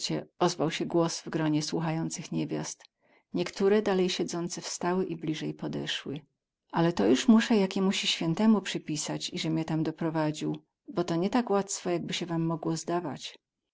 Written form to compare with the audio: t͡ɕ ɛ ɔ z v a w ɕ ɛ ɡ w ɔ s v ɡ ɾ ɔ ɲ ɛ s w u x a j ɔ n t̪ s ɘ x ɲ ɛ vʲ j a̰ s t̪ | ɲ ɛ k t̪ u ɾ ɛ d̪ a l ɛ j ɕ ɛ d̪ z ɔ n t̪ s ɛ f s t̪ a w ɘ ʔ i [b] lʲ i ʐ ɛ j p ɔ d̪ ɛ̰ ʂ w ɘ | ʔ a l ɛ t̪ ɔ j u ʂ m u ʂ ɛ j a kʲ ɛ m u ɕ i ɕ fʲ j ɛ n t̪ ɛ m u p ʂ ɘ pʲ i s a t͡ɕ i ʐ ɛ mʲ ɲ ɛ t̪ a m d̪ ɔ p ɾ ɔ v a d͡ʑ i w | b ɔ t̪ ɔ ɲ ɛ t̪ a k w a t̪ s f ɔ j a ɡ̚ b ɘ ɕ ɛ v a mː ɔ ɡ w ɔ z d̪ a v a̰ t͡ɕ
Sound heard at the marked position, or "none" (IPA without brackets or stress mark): b